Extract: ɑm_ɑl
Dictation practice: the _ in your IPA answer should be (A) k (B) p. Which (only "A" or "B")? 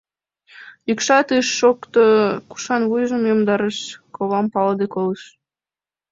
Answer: B